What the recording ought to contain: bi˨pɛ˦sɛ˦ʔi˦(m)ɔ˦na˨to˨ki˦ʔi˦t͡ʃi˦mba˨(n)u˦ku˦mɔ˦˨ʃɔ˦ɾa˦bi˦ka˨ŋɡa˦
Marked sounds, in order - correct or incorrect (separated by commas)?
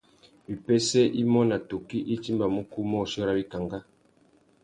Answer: correct, incorrect